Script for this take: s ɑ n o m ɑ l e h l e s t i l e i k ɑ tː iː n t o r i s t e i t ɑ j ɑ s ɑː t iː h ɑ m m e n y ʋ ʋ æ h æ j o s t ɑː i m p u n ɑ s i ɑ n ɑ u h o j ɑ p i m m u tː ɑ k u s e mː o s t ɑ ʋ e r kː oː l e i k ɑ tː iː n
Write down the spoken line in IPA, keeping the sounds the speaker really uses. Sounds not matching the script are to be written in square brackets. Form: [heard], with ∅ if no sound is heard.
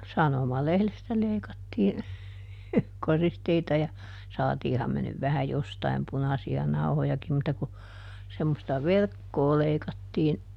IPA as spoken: s ɑ n o m ɑ l e h l e s t [æ] l e i k ɑ tː iː n [k] o r i s t e i t ɑ j ɑ s ɑː t iː h ɑ m m e n y ʋ ʋ æ h æ j o s t [ɑ] i m p u n ɑ s i ɑ n ɑ u h o j ɑ [k] i m m u tː ɑ k u s e mː o s t ɑ ʋ e r kː oː l e i k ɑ tː iː n